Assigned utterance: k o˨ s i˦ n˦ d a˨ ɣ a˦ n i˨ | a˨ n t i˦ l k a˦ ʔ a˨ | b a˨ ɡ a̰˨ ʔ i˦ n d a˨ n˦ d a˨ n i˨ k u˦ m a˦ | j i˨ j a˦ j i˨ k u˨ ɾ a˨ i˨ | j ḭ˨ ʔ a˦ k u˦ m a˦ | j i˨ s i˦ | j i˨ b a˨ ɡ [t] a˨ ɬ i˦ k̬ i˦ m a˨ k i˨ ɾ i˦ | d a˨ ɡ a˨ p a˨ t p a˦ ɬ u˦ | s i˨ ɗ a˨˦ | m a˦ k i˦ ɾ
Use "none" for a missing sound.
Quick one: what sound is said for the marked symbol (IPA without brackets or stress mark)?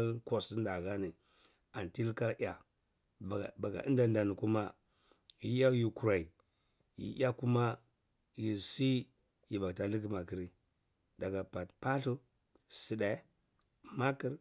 t